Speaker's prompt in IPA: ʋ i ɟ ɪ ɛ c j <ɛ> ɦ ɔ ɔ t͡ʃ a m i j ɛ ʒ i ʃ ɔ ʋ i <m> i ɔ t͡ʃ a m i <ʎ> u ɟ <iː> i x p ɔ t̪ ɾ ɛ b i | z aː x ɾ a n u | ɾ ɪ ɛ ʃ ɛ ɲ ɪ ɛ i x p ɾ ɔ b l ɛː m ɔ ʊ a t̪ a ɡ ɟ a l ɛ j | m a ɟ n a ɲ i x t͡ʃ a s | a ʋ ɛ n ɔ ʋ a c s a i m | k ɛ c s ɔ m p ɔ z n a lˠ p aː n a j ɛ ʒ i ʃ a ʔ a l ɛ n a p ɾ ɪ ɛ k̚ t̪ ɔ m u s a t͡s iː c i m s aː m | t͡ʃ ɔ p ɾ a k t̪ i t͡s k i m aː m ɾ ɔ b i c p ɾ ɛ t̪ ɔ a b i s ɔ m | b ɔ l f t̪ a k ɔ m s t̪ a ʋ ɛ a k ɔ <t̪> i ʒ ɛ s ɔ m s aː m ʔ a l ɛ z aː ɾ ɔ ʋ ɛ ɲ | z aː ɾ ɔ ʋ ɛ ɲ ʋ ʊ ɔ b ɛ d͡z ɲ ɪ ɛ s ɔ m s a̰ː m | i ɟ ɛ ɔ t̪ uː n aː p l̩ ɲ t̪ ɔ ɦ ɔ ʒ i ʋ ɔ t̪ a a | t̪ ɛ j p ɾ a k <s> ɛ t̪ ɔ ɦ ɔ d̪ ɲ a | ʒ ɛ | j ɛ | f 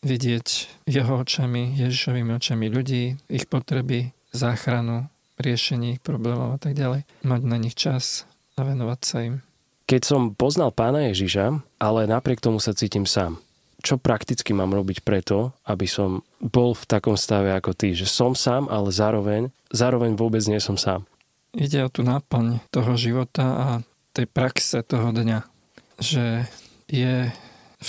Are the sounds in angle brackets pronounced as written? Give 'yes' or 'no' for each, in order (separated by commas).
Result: yes, yes, yes, yes, yes, yes